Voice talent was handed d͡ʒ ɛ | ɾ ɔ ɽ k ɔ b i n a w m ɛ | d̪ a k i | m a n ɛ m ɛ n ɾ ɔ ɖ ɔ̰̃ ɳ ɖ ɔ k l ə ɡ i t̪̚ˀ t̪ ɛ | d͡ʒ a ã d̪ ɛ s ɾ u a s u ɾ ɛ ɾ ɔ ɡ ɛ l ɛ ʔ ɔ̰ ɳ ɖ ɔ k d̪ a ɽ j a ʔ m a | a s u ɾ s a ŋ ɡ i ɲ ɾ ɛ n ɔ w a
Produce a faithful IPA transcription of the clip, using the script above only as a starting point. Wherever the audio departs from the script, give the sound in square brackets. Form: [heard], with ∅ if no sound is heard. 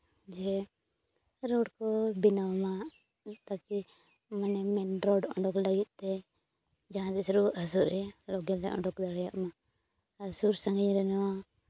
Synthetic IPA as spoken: d͡ʒ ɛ | ɾ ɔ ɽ k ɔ b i n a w m [a] | [t̪] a k i | m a n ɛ m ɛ n ɾ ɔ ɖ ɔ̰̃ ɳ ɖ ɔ k l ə ɡ i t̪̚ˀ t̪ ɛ | d͡ʒ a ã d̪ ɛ s ɾ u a s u ɾ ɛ [l] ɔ ɡ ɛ l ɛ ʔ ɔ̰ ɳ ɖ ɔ k d̪ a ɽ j a ʔ m a | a s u ɾ s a ŋ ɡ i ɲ ɾ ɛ n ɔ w a

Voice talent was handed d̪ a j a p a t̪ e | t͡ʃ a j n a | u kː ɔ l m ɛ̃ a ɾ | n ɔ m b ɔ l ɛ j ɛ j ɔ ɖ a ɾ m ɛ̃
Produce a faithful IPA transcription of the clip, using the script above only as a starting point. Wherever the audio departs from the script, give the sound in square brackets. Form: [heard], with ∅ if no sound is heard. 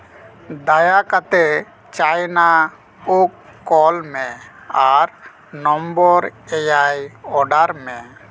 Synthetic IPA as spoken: d̪ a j a [k] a t̪ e | t͡ʃ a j n a | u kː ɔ l m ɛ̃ a ɾ | n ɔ m b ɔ [ɾ] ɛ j [a] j ɔ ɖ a ɾ m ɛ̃

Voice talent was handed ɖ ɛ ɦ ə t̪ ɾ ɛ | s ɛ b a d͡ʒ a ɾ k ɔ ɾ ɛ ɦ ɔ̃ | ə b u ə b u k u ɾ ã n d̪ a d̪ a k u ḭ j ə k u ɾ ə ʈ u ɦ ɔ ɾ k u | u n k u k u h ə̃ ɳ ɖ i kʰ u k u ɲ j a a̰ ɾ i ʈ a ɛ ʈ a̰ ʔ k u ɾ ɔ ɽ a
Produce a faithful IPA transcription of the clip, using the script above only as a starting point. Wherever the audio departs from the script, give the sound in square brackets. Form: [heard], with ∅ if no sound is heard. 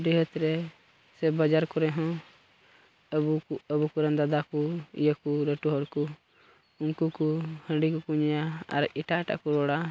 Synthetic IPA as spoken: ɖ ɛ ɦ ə t̪ ɾ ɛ | s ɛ b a d͡ʒ a ɾ k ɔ ɾ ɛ ɦ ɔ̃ | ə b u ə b u k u ɾ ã n d̪ a d̪ a k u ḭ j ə k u ɾ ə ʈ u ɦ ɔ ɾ k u | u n k u k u h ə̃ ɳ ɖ i [k] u k u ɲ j a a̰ ɾ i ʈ a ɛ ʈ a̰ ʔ k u ɾ ɔ ɽ a

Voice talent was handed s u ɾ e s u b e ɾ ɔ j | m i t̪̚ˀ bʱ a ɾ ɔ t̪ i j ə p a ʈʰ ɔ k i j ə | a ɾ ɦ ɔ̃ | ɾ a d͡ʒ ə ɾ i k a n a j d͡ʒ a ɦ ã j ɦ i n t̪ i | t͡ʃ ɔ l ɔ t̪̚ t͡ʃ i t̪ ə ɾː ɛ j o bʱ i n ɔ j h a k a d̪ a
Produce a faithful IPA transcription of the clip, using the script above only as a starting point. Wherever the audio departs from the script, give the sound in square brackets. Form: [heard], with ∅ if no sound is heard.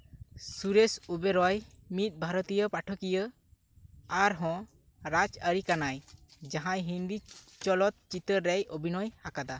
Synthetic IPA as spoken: s u ɾ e s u b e ɾ ɔ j | m i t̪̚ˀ bʱ a ɾ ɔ t̪ i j ə p a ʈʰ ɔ k i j ə | a ɾ ɦ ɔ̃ | ɾ a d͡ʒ ə ɾ i k a n a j d͡ʒ a ɦ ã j ɦ i n [d̪] i | t͡ʃ ɔ l ɔ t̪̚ t͡ʃ i t̪ ə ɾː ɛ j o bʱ i n ɔ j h a k a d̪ a

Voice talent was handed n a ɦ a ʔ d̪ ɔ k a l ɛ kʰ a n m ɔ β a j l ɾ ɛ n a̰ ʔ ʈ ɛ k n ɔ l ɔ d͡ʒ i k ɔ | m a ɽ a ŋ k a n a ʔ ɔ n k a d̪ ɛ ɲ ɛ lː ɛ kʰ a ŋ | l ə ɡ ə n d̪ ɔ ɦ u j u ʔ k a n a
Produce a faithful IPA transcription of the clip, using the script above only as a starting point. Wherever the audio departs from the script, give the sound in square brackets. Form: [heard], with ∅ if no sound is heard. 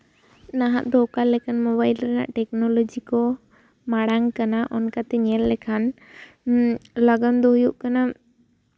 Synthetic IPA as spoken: n a ɦ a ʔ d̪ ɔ k a l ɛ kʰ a n m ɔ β a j l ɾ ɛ n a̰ ʔ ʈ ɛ k n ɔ l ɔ d͡ʒ i k ɔ | m a ɽ a ŋ k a n a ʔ ɔ n k a [t̪] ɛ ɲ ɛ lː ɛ kʰ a [n] | l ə ɡ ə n d̪ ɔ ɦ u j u ʔ k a n a

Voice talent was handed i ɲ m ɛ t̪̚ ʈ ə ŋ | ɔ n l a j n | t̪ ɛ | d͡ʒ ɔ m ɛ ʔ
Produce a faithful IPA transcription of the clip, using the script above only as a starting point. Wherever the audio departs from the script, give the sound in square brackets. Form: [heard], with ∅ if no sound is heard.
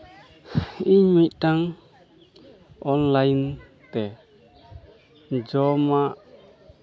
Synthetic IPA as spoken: i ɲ m [i] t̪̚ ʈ [a] ŋ | ɔ n l a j n | t̪ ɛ | d͡ʒ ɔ m [a] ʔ

